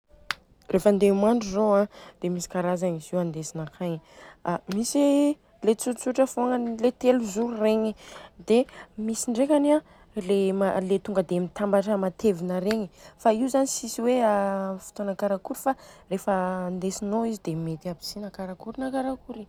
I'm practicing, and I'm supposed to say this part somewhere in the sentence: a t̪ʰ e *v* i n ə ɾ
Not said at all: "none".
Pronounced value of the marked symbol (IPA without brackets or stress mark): v